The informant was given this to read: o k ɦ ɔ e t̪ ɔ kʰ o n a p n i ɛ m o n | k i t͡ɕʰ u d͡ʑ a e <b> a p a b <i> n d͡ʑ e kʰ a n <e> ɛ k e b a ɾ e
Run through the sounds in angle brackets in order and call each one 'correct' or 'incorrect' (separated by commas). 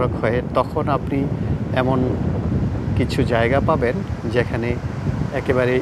incorrect, incorrect, correct